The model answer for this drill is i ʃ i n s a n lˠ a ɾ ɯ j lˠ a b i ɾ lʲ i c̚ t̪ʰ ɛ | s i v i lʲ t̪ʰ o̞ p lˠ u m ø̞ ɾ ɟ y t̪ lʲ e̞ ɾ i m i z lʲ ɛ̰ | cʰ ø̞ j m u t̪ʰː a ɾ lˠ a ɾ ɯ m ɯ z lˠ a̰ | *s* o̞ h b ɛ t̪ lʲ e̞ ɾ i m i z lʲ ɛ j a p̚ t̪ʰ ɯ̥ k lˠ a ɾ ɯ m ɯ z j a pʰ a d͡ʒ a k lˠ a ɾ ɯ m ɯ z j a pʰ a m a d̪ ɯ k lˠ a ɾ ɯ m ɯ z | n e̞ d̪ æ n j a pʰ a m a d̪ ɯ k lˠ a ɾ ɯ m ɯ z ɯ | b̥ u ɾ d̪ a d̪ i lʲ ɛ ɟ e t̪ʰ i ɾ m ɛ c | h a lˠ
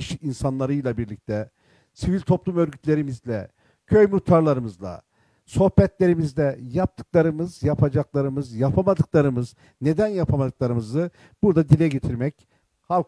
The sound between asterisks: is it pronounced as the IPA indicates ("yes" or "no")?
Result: yes